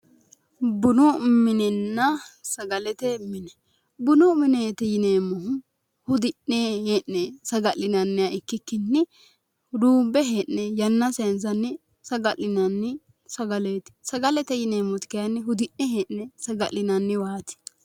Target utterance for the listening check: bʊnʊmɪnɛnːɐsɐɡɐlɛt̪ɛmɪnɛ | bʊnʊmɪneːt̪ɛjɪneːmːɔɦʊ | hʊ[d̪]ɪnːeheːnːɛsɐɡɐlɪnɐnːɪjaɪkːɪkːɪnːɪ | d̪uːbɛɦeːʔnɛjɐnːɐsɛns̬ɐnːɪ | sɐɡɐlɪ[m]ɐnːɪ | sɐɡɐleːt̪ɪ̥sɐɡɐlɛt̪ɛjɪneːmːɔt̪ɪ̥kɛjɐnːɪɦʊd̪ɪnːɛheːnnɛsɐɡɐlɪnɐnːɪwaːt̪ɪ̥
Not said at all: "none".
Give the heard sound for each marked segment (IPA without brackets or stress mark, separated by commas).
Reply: d̪, n